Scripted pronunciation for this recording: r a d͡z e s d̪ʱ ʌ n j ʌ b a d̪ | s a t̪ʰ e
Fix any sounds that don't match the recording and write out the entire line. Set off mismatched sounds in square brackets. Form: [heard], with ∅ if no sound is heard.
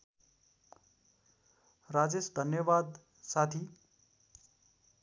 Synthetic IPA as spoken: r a d͡z e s d̪ʱ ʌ n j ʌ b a d̪ | s a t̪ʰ [i]